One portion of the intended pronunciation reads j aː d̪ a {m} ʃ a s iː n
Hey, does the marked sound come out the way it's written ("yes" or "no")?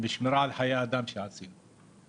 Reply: yes